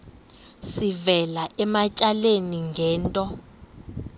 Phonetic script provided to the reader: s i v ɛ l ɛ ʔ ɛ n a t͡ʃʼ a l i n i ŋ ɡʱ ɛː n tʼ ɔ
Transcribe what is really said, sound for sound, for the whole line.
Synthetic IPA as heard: s i v ɛ l a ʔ ɛ m a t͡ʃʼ a l e n i ŋ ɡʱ ɛː n tʼ ɔ